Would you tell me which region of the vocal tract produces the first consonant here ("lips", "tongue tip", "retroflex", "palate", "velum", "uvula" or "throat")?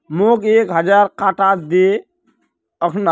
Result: lips